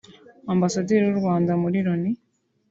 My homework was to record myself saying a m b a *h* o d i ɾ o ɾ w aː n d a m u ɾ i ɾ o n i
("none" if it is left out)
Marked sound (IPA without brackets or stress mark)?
s